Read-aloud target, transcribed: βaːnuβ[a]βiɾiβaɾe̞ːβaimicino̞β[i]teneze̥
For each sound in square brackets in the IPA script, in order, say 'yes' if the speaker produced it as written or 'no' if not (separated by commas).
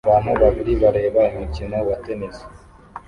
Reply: yes, no